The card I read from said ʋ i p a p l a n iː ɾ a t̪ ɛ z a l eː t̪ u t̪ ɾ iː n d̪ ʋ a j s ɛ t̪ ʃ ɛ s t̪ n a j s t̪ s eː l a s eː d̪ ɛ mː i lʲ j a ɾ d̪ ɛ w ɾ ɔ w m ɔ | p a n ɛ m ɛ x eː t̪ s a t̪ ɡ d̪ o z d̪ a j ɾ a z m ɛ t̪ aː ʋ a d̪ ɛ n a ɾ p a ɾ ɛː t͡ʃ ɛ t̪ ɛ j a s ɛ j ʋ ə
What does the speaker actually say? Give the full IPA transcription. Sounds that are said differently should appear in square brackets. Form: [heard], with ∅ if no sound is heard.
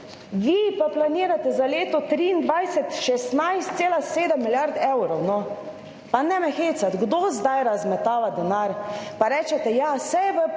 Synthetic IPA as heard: ʋ i p a p l a n iː ɾ a t̪ ɛ z a l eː t̪ [ɔ] t̪ ɾ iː n d̪ ʋ a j s ɛ t̪ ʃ ɛ s t̪ n a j s t̪ s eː l a s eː d̪ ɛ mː i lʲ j a ɾ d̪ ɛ w ɾ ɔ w [n] ɔ | p a n ɛ m ɛ x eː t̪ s a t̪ ɡ d̪ o z d̪ a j ɾ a z m ɛ t̪ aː ʋ a d̪ ɛ n a ɾ p a ɾ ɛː t͡ʃ ɛ t̪ ɛ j a s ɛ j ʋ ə

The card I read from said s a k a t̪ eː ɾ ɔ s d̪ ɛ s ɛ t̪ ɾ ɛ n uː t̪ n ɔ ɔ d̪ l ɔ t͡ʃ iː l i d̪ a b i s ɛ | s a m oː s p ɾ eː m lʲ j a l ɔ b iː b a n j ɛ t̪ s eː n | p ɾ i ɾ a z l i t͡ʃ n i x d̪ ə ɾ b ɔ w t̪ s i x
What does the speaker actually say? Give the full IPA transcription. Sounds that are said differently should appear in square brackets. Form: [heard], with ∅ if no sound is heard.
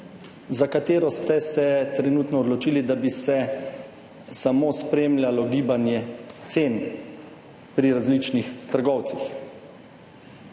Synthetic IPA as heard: [z] a k a t̪ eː ɾ ɔ s [t̪] ɛ s ɛ t̪ ɾ ɛ n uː t̪ n ɔ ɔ d̪ l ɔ t͡ʃ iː l i d̪ a b i s ɛ | s a m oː s p ɾ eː m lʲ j a l ɔ [ɡ] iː b a n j ɛ t̪ s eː n | p ɾ i ɾ a z l i t͡ʃ n i x [t̪] ə ɾ [ɡ] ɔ w t̪ s i x

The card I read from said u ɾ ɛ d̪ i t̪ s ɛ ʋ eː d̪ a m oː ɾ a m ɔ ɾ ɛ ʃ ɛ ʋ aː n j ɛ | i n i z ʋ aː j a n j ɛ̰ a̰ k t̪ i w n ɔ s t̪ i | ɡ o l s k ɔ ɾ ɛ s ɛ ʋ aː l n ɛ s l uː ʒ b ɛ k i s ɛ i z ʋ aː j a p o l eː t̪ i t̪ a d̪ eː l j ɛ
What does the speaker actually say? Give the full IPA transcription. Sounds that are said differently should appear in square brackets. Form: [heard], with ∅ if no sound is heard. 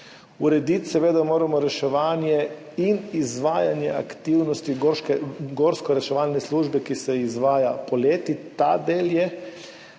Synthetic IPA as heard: u ɾ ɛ d̪ i t̪ s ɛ ʋ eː d̪ a m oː ɾ a m ɔ ɾ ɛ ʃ ɛ ʋ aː n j ɛ | i n i z ʋ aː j a n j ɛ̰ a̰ k t̪ i w n ɔ s t̪ i | ɡ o [ɾ] s k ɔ ɾ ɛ [ʃ] ɛ ʋ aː l n ɛ s l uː ʒ b ɛ k i s ɛ i z ʋ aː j a p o l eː t̪ i t̪ a d̪ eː l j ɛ

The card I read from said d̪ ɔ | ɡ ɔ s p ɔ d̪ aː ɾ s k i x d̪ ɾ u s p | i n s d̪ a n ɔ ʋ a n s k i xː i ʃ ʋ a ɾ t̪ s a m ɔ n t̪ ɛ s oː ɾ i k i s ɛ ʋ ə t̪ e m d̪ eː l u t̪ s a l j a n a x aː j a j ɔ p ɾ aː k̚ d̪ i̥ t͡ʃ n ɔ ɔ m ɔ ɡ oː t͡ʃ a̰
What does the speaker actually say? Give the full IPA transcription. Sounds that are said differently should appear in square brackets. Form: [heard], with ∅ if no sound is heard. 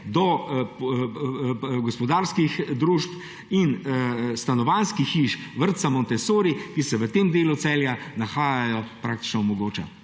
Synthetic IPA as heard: d̪ ɔ | ɡ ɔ s p ɔ d̪ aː ɾ s k i x d̪ ɾ u [ʃ] p | i n s [t̪] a n ɔ ʋ a n s k i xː i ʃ ʋ [ə] ɾ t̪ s a m ɔ n t̪ ɛ s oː ɾ i k i s ɛ ʋ ə t̪ e m d̪ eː l u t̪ s [ɛ] l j a n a x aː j a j ɔ p ɾ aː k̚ [t̪] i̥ t͡ʃ n ɔ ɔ m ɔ ɡ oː t͡ʃ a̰

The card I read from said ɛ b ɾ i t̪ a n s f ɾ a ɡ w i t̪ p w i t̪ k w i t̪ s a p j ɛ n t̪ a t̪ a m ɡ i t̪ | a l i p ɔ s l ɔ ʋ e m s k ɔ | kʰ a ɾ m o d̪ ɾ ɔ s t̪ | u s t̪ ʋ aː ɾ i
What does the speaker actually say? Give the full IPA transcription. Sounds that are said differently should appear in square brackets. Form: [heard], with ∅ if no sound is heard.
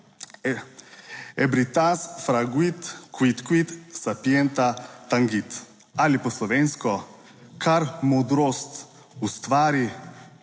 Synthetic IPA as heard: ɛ b ɾ i t̪ a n s f ɾ a ɡ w i t̪ [k] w i t̪ k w i t̪ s a p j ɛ n t̪ a t̪ a [ŋ] ɡ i t̪ | a l i p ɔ s l ɔ ʋ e [n] s k ɔ | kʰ a ɾ m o d̪ ɾ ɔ s t̪ | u s t̪ ʋ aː ɾ i

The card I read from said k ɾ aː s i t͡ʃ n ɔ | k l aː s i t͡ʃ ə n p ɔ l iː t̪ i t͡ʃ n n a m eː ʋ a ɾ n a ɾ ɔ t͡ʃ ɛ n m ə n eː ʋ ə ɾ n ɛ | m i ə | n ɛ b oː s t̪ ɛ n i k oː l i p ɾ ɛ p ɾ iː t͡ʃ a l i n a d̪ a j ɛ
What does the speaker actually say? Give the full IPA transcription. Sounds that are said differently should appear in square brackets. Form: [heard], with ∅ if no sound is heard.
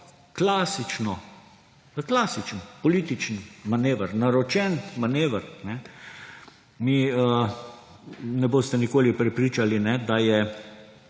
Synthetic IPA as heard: k [l] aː s i t͡ʃ n ɔ | k l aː s i t͡ʃ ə n p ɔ l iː t̪ i t͡ʃ n [m] a [n] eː ʋ [ə] ɾ n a ɾ ɔ t͡ʃ ɛ n m [a] n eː ʋ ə ɾ n ɛ | m i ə | n ɛ b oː s t̪ ɛ n i k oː l i p ɾ ɛ p ɾ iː t͡ʃ a l i n [ɛ] d̪ a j ɛ

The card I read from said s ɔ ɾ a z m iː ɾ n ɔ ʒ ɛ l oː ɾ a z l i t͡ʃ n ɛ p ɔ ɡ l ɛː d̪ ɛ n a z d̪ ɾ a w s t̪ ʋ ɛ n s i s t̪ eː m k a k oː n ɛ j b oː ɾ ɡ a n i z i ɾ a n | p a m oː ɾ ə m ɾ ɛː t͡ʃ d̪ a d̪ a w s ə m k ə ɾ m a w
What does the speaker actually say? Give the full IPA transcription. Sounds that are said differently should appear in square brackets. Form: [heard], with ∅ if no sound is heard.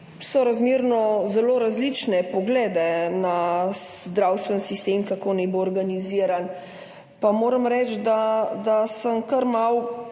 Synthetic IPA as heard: s ɔ ɾ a z m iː ɾ n ɔ [z] ɛ l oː ɾ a z l i t͡ʃ n ɛ p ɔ ɡ l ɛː d̪ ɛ n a z d̪ ɾ a w s t̪ ʋ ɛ n s i s t̪ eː m k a k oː n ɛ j b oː ɾ ɡ a n i z i ɾ a n | p a m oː ɾ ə m ɾ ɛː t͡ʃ d̪ a d̪ a [∅] s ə m k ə ɾ m a w

